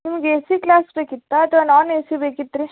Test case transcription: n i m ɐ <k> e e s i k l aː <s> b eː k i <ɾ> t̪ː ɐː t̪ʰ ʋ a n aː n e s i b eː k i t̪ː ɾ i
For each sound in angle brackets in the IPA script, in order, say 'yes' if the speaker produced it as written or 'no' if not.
no, yes, no

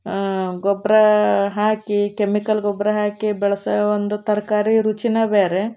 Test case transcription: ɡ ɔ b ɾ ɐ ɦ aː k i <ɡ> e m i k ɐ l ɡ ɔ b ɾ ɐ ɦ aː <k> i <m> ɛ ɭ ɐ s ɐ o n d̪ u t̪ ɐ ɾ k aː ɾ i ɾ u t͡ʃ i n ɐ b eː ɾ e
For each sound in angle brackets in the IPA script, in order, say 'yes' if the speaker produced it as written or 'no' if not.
no, yes, no

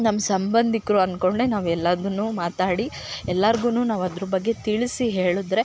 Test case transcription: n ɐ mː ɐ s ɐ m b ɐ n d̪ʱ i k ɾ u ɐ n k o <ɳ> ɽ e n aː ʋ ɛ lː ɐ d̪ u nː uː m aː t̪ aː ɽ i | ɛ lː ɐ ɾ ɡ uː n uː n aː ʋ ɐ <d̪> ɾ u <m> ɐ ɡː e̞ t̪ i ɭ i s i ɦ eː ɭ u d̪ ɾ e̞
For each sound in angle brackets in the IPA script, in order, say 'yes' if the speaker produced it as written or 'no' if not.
yes, yes, no

